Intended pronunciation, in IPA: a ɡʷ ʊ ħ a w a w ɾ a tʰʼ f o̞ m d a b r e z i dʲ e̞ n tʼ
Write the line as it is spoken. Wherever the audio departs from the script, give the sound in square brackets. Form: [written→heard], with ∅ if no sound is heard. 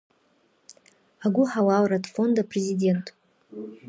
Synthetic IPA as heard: a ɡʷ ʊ ħ a w a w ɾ a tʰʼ f o̞ [m→n] d a [b→p] r e z i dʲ e̞ n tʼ